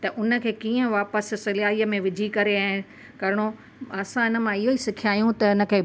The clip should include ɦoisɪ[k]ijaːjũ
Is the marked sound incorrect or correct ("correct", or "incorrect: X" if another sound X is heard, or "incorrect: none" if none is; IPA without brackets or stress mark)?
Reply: incorrect: kʰ